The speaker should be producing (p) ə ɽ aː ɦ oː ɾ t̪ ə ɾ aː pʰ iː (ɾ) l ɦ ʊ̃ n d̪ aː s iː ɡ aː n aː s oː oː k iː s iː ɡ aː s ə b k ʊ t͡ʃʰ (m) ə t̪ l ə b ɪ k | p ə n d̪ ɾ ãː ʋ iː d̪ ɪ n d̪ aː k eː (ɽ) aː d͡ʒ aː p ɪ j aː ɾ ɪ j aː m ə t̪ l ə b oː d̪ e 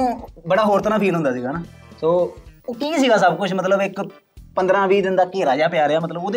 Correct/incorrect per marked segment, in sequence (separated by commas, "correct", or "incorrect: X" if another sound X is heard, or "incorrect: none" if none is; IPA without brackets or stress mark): incorrect: b, incorrect: none, correct, incorrect: ɾ